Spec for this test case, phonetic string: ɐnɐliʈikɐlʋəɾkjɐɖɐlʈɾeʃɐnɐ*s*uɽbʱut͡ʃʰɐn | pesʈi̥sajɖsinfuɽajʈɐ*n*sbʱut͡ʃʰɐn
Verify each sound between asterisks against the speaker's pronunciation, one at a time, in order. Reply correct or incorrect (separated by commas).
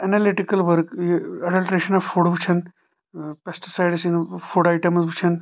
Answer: incorrect, incorrect